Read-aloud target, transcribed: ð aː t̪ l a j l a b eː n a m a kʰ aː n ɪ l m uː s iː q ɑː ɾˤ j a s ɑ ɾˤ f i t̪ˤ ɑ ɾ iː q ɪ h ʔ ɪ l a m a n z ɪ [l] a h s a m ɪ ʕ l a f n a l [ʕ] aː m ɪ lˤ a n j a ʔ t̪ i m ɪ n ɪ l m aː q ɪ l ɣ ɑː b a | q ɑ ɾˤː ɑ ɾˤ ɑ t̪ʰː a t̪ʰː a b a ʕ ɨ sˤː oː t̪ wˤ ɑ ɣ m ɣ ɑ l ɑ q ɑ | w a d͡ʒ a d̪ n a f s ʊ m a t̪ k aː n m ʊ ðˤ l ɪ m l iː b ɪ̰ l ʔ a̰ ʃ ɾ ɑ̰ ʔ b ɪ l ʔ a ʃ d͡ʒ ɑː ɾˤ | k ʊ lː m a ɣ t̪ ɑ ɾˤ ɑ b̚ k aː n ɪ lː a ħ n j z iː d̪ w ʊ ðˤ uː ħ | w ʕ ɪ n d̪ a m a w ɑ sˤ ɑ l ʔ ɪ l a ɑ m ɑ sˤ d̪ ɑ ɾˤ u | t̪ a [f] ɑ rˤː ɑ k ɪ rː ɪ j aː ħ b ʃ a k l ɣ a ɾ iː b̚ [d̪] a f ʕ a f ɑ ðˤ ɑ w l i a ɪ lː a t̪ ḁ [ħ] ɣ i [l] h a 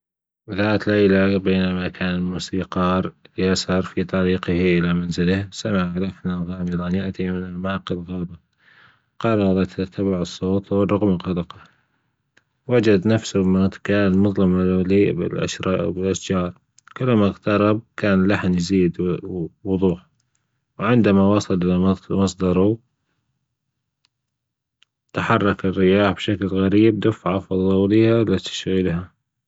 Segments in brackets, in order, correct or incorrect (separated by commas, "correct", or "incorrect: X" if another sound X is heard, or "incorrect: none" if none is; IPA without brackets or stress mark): correct, incorrect: ɣ, incorrect: ħ, correct, incorrect: ʃ, correct